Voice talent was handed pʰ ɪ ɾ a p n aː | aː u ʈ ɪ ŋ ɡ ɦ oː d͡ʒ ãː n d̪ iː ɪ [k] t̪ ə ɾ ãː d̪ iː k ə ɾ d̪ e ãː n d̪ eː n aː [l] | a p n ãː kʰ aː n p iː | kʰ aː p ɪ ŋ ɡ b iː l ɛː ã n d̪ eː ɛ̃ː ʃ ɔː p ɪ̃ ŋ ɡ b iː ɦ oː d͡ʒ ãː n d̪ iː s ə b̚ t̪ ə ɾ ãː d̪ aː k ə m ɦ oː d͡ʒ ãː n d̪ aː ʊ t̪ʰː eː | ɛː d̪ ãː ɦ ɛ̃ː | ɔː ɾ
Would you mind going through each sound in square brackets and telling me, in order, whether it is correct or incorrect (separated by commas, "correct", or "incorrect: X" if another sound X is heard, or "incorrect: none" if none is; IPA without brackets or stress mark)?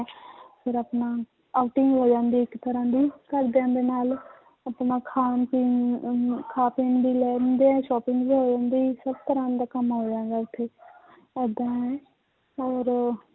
correct, correct